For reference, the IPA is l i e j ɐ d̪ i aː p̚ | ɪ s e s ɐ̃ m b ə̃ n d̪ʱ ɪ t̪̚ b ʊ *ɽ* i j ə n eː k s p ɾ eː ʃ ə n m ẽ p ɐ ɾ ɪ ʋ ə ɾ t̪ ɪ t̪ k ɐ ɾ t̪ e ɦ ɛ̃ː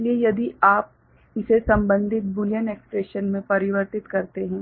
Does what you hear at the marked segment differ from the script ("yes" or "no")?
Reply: yes